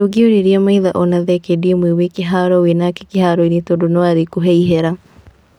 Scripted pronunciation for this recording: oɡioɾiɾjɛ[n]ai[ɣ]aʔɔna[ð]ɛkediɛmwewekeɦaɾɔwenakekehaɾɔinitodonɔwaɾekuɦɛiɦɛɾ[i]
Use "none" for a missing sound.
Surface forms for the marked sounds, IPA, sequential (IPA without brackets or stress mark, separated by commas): m, ð, ð, a